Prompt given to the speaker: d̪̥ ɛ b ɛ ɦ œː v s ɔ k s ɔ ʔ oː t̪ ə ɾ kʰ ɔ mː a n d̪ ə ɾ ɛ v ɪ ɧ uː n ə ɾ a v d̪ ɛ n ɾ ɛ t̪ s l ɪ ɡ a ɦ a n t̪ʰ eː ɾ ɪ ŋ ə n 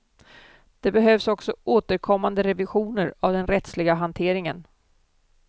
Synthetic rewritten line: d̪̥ ɛ b ɛ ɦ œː v s ɔ k s ɔ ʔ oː t̪ ə ɾ kʰ ɔ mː a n d̪ ə ɾ ɛ v ɪ ɧ uː n ə ɾ a v d̪ ɛ n ɾ ɛ t̪ s l ɪ ɡ a ɦ a n t̪ʰ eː ɾ ɪ ŋ ə n